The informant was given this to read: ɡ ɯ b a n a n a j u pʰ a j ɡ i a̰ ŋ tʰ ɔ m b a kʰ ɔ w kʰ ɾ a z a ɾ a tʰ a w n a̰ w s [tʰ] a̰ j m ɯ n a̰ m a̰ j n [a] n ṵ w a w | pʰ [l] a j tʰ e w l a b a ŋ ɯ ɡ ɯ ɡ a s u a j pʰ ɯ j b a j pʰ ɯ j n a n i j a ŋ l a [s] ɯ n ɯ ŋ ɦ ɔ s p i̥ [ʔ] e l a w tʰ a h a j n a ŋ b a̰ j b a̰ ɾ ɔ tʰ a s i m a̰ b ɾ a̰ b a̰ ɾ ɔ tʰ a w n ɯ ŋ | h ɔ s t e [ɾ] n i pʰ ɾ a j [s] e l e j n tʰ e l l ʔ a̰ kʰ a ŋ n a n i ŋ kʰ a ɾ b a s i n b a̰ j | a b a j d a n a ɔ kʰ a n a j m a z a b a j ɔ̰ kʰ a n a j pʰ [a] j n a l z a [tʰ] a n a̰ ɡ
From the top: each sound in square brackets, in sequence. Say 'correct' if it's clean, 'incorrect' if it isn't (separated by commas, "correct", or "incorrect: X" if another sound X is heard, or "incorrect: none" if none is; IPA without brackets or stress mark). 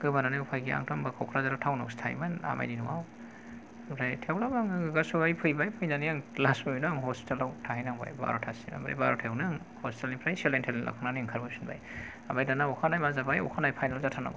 correct, incorrect: i, incorrect: ɾ, correct, incorrect: t, incorrect: l, correct, correct, correct